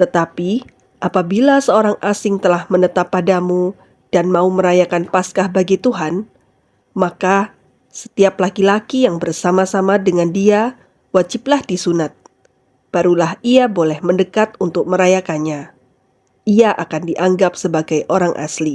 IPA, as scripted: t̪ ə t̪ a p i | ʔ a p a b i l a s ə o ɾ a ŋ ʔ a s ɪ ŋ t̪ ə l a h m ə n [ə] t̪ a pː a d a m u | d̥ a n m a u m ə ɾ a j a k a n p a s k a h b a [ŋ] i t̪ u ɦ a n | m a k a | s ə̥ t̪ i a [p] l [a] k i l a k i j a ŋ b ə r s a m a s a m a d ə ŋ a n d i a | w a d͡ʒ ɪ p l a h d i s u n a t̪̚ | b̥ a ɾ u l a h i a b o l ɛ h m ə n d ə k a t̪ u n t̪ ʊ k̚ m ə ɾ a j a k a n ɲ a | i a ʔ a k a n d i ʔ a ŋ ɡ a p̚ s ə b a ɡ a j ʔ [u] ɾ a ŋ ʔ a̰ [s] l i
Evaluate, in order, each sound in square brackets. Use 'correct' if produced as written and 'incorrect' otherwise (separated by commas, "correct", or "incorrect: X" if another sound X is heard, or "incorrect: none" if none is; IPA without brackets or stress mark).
correct, incorrect: ɡ, correct, correct, incorrect: o, correct